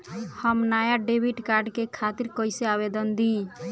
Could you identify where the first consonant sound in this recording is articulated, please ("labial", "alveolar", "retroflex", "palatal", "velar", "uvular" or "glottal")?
glottal